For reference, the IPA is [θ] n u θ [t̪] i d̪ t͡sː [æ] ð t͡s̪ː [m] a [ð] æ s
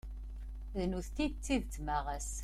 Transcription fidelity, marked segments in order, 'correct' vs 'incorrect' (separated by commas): incorrect, correct, incorrect, correct, incorrect